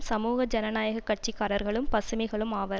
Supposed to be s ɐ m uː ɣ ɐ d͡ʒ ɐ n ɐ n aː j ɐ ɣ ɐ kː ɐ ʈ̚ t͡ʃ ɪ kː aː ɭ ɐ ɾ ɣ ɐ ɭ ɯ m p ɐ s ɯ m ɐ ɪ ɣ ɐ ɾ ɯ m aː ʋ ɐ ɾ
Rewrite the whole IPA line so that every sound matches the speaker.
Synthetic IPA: s ɐ m uː ɣ ɐ d͡ʒ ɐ n ɐ n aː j ɐ ɣ ɐ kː ɐ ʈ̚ t͡ʃ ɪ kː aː ɾ ɐ ɾ ɣ ɐ ɭ ɯ m p ɐ s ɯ m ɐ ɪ ɣ ɐ ɭ ɯ m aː ʋ ɐ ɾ